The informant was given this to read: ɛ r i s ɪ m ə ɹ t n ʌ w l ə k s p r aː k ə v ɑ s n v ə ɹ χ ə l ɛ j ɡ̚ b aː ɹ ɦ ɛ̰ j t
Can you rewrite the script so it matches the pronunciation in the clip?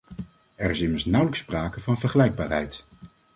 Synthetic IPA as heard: ɛ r ɪ s ɪ m ə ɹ s n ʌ w l ə k s p r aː k ə v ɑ n v ə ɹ χ ə l ɛ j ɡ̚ b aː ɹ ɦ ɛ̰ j t